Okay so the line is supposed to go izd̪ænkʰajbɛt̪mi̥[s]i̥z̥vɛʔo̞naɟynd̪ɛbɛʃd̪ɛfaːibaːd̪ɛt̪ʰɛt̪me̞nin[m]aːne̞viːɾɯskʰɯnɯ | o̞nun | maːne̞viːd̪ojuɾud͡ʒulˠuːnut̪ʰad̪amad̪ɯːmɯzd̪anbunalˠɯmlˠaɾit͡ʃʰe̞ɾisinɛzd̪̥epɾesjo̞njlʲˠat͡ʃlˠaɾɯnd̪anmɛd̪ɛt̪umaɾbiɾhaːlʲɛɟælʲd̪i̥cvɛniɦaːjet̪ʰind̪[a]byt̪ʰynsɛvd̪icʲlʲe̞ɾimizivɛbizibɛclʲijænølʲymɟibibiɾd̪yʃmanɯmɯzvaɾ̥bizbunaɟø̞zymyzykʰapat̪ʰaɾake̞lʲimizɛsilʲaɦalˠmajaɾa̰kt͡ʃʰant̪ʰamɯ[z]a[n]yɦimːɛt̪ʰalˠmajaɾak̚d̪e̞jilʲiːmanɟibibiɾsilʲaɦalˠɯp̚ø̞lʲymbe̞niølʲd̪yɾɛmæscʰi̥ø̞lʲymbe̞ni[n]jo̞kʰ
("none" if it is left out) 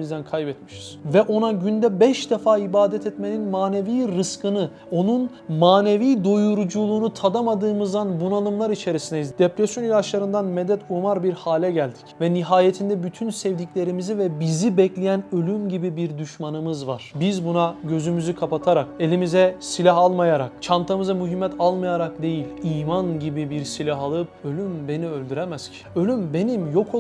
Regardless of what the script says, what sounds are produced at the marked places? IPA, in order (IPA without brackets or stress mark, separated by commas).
ʃ, m, ɛ, z, m, m